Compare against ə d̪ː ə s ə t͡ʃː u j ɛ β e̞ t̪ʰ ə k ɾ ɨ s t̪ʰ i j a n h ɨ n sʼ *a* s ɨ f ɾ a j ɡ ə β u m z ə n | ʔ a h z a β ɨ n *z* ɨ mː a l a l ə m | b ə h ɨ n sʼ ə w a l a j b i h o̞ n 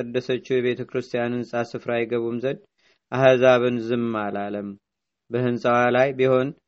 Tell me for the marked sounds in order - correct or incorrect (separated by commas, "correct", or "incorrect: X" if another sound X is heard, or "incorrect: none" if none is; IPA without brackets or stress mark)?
correct, correct